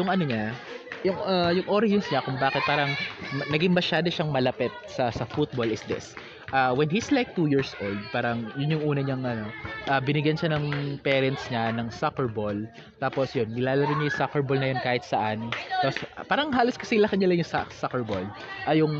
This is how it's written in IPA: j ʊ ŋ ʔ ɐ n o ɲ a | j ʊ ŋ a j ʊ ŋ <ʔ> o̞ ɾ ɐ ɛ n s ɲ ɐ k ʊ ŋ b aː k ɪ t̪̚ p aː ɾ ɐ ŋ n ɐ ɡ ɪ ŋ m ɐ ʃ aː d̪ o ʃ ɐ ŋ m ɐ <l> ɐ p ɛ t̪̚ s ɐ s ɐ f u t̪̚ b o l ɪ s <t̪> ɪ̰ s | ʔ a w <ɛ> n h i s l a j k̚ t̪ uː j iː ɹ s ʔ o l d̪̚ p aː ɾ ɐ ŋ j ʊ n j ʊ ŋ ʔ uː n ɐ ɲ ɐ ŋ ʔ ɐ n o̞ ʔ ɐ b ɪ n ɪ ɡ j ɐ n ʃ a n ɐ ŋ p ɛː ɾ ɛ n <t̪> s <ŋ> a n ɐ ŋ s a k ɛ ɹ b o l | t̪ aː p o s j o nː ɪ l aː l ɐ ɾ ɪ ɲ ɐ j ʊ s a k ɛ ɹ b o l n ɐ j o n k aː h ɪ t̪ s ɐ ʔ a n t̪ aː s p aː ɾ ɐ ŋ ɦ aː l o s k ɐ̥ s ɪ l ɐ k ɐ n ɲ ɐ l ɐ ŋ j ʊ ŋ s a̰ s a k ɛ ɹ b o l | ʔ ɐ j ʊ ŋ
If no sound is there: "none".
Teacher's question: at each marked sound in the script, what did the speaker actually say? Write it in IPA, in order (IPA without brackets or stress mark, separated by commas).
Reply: ʔ, l, d̪, ɛ, t̪, ɲ